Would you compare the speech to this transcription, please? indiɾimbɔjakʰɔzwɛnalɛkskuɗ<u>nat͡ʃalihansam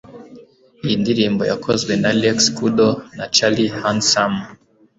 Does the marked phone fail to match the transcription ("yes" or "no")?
yes